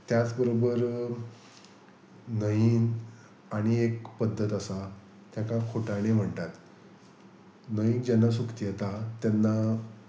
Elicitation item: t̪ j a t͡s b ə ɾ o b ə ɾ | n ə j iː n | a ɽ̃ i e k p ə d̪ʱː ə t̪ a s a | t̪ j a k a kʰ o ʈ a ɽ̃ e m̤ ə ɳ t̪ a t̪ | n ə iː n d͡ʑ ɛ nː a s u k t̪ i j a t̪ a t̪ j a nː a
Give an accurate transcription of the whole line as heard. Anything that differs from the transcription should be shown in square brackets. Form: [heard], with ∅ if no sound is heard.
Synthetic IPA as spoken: t̪ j a t͡s b ə ɾ o b ə ɾ | n ə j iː n | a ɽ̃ i e k p ə d̪ʱː ə t̪ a s a | t̪ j a k a kʰ o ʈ a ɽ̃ e m̤ ə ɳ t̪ a t̪ | n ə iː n d͡ʑ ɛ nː a s u k t̪ i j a t̪ a t̪ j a nː a